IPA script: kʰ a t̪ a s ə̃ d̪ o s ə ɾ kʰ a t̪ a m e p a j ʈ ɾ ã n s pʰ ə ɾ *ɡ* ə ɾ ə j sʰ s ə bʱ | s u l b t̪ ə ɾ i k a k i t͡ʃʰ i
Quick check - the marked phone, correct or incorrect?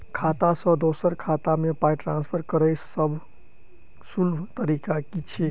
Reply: incorrect